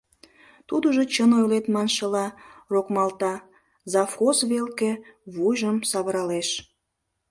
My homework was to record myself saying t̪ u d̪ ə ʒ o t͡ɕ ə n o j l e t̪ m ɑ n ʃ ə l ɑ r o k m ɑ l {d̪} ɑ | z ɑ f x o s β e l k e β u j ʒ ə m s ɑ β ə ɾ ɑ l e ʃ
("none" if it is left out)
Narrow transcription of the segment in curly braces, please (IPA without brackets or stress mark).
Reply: t̪